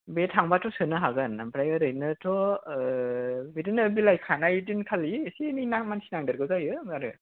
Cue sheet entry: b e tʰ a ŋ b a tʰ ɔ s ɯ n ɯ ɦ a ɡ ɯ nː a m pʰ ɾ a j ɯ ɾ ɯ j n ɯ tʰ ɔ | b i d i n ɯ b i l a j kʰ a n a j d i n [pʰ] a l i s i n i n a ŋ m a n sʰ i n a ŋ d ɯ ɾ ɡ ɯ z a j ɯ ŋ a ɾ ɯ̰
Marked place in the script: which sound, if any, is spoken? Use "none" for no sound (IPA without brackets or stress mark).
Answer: kʰ